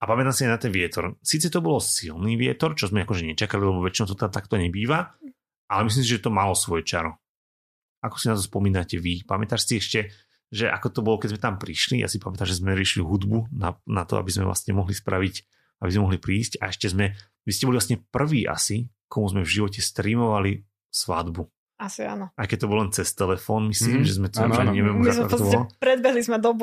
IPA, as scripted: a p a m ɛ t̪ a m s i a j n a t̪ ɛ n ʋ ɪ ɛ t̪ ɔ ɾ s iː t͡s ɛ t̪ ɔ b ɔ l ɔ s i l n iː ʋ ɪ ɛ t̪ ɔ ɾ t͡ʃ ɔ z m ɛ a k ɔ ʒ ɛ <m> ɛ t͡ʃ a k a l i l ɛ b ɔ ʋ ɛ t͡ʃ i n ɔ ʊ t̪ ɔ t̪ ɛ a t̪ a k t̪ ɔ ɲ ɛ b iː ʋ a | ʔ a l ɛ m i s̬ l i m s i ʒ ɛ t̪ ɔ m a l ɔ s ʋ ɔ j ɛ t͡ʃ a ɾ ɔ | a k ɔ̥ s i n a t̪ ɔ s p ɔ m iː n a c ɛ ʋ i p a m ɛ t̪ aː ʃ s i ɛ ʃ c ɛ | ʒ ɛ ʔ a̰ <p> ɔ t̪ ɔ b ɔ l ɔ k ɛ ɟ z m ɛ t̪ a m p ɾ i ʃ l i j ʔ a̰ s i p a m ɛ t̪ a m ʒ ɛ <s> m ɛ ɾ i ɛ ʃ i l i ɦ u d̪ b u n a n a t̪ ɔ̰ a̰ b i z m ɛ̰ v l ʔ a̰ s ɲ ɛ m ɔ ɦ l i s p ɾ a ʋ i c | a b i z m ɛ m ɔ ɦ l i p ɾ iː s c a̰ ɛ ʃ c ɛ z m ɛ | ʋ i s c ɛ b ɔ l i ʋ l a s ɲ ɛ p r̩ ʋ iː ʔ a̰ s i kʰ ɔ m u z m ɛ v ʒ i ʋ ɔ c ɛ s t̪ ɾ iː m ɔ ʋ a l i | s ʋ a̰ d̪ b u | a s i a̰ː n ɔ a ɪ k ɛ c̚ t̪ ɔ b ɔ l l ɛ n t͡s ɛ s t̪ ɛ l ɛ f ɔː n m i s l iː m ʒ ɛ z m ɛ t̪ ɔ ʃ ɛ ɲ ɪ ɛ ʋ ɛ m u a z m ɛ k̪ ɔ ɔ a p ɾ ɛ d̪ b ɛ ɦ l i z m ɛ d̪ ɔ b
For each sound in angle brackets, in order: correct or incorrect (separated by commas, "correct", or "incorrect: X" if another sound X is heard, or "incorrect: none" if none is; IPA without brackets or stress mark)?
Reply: incorrect: ɲ, incorrect: k, incorrect: z